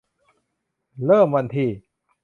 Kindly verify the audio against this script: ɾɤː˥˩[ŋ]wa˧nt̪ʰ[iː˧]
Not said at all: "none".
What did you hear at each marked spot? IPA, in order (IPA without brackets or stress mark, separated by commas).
m, iː˧